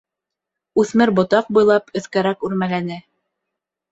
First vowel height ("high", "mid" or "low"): high